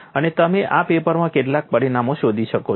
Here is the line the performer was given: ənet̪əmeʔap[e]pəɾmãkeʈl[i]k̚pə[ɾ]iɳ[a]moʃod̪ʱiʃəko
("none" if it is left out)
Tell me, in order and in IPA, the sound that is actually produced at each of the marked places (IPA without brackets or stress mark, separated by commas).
e, a, ɾ, a